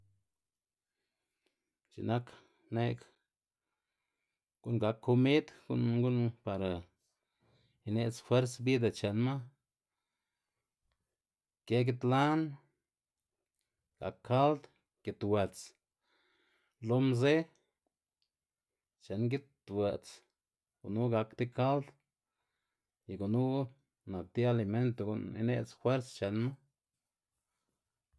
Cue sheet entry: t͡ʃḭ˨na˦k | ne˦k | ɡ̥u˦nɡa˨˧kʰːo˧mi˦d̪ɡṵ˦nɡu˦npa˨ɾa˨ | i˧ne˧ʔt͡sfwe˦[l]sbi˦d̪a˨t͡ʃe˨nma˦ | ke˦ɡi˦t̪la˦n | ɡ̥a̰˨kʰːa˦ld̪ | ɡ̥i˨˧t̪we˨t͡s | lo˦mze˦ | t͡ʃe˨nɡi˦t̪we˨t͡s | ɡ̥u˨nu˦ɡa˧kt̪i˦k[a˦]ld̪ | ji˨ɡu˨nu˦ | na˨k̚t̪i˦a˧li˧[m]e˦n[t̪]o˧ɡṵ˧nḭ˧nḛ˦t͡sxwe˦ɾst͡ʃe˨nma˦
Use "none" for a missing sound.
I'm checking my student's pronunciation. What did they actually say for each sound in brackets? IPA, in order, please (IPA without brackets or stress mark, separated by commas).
ɾ, a˦, m, t̪